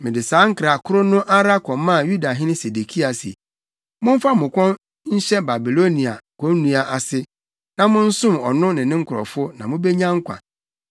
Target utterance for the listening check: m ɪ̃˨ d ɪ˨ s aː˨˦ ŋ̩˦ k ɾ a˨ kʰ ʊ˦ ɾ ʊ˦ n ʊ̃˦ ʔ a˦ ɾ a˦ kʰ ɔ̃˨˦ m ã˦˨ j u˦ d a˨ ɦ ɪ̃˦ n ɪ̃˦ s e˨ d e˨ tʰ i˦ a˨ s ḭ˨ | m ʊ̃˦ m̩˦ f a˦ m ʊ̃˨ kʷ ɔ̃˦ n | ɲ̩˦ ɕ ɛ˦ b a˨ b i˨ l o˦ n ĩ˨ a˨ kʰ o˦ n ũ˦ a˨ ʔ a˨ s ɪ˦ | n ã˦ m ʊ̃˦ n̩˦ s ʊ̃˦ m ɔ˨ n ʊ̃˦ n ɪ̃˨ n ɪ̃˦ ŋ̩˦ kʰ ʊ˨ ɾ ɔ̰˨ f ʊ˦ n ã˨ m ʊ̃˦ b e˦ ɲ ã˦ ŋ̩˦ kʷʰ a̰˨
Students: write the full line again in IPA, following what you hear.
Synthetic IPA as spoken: m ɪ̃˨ d ɪ˨ s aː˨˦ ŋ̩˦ k ɾ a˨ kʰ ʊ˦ ɾ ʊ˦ n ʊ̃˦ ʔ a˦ ɾ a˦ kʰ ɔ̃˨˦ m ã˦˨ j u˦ d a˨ ɦ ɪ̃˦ n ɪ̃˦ s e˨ d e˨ kʰ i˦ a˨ s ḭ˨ | m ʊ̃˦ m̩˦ f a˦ m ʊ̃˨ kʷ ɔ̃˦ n | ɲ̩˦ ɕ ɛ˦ b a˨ b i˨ l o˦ n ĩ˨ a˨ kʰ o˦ n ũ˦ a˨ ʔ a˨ s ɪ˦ | n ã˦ m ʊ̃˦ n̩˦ s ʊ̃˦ m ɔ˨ n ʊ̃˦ n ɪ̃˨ n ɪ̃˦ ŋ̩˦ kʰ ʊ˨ ɾ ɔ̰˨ f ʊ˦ n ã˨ m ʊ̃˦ b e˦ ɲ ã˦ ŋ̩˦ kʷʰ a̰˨